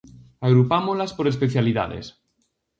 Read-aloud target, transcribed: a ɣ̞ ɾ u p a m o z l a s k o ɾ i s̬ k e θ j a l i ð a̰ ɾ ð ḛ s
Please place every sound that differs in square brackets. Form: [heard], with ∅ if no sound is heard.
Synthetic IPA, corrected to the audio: a ɣ̞ ɾ u p a m o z l a s [p] o ɾ [e] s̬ [p] e θ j a l i ð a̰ [∅] ð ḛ s